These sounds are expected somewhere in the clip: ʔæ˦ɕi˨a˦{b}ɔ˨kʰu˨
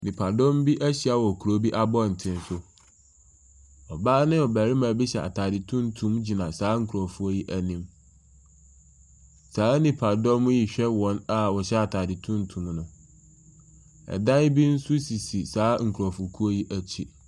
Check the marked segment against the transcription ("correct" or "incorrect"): incorrect